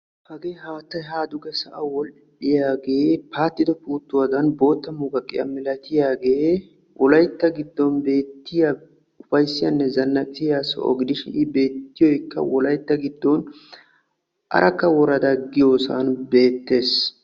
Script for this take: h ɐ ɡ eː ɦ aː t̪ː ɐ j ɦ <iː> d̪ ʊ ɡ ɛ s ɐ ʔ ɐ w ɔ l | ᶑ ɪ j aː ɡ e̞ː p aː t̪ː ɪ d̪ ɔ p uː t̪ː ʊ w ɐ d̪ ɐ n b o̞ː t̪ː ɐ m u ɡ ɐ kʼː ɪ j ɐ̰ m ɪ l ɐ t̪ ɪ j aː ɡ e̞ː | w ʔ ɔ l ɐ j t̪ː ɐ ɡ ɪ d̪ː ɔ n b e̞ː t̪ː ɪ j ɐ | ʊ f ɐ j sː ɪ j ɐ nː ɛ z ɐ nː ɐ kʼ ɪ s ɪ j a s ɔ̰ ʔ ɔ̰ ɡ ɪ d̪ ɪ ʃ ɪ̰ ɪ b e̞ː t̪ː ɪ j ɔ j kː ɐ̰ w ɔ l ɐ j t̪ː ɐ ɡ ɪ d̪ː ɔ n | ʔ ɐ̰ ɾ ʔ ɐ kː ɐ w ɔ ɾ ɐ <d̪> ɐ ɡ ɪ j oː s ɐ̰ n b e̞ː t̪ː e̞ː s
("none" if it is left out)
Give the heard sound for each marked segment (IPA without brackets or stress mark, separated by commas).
aː, d̪